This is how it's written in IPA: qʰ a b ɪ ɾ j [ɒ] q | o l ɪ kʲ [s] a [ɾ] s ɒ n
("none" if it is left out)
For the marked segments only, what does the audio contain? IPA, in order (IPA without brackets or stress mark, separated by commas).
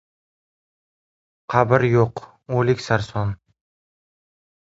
o, s, ɾ